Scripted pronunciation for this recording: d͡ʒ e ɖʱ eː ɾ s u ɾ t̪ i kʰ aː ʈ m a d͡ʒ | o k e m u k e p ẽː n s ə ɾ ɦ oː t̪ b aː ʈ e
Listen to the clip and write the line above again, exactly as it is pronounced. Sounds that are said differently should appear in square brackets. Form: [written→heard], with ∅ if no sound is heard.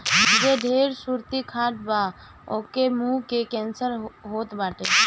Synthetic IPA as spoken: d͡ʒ e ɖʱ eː ɾ s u ɾ t̪ i kʰ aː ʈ [m→b] a [d͡ʒ→∅] | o k e m u k e [p→k] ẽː n s ə ɾ ɦ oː t̪ b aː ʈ e